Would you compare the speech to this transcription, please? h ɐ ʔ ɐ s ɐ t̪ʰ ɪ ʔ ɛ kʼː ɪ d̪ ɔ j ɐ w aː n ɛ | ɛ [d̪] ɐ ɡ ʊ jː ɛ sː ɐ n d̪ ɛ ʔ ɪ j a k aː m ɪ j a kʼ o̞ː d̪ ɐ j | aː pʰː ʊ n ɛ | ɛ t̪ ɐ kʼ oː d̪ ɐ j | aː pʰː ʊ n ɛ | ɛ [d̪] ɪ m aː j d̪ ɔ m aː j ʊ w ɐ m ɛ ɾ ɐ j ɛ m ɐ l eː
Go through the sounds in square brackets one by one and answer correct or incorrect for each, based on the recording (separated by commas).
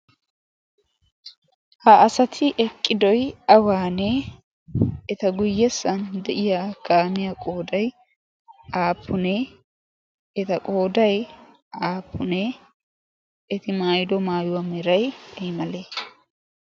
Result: incorrect, incorrect